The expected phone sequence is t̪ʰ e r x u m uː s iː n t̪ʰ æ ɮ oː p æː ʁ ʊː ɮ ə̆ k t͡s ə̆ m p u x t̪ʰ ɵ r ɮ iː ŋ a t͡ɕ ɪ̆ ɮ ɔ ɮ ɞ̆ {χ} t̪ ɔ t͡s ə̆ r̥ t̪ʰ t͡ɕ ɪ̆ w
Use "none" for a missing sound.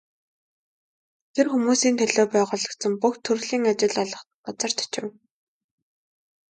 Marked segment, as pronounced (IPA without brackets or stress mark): χ